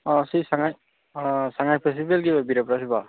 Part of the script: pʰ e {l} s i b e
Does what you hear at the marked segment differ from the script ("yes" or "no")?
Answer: yes